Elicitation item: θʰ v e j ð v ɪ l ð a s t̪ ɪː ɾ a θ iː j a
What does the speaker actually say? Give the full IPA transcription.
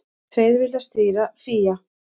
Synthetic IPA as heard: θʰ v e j ð v ɪ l ð a s t̪ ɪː ɾ a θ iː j a

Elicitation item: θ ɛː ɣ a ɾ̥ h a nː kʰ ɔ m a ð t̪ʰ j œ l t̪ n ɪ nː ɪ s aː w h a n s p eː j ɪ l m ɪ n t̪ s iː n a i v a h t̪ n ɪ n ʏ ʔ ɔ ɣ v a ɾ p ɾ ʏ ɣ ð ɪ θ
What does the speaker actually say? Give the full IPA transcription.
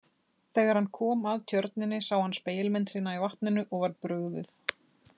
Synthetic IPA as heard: θ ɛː ɣ a ɾ̥ h a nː kʰ ɔː m a ð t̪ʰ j œ ɾ t̪ n ɪ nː ɪ s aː w h a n s p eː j ɪ l m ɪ n t̪ s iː n a i v a h t̪ n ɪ n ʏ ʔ ɔ ɣ v a ɾ p ɾ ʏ ɣ ð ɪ θ

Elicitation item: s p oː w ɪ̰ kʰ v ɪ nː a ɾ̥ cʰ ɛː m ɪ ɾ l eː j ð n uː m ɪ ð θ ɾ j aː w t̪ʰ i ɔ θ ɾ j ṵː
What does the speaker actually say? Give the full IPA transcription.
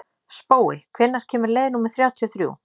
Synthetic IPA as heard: s p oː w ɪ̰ kʰ v ɪ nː a ɾ̥ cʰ ɛː m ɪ ɾ l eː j ð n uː m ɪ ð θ ɾ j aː w t̪ʰ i ɔ θ ɾ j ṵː

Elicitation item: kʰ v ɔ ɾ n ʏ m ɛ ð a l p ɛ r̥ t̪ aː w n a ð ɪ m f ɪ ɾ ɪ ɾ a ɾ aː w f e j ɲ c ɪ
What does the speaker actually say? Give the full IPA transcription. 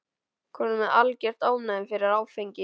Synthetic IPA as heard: kʰ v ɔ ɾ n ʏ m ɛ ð a l c ɛ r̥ t̪ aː w n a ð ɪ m f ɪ ɾ ɪ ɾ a ɾ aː w f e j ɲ c ɪ

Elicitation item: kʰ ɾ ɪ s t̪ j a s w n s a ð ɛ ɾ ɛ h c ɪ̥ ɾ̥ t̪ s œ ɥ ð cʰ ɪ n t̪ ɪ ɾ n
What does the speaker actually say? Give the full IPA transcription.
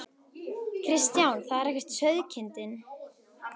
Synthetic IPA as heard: kʰ ɾ ɪ s t̪ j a w n θ a ð ɛ ɾ ɛ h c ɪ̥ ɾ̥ t̪ s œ ɥ ð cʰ ɪ n t̪ ɪ n

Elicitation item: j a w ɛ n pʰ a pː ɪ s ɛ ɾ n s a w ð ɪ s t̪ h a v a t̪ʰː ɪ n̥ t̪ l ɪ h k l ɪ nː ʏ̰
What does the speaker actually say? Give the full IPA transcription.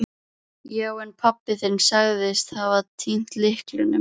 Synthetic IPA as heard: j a w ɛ n pʰ a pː ɪ θ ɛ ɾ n s a ɣ ð ɪ s t̪ h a v a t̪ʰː i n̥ t̪ l ɪ h k l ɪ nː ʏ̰

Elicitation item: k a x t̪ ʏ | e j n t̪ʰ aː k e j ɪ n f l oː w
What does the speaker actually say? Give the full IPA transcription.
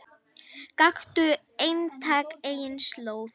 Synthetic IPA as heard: k a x t̪ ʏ | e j n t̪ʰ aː k e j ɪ n s l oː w

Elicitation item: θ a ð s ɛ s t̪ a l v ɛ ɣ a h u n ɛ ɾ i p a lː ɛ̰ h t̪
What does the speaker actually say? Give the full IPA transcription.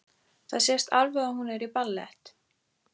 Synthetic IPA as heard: θ a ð s ɛ s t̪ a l v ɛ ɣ a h u n ɛ ɾ i p a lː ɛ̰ h t̪

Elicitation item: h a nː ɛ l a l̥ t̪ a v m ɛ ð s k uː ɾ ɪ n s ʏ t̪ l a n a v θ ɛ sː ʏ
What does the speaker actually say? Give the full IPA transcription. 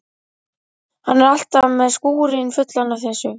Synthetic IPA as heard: h a nː ɛ ɾ a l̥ t̪ a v m ɛ ð s k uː ɾ ɪ n f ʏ t̪ l a n a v θ ɛ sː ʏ

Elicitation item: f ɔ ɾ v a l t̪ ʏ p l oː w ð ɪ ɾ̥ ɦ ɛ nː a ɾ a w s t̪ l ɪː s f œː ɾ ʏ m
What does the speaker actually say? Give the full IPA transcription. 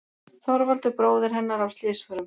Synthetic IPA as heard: θ ɔ ɾ v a l t̪ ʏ p ɾ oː w ð ɪ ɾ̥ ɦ ɛ nː a ɾ a w s t̪ l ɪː s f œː ɾ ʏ m

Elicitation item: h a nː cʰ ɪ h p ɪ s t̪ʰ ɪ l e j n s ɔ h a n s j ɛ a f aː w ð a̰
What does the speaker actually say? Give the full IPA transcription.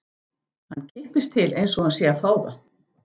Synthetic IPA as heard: h a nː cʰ ɪ h p ɪ s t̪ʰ ɪ l e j n s ɔ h a n s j ɛ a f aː w ð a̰

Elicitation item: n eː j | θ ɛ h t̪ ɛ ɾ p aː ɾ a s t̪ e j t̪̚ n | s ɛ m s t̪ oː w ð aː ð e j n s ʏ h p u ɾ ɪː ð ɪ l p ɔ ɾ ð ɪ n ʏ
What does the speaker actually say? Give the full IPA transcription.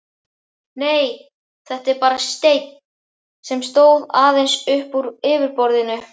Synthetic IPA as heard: n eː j | θ ɛ h t̪ ɛ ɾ p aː ɾ a s t̪ e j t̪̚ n | s ɛ m s t̪ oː w ð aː ð e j n s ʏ h p u ɾ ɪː v ɪ ɾ p ɔ ɾ ð ɪ n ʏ

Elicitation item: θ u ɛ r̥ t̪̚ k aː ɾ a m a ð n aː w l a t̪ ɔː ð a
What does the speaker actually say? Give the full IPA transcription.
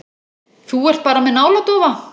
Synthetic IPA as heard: θ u ɛ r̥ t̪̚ p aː ɾ a m ɛ ð n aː w l a t̪ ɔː v a

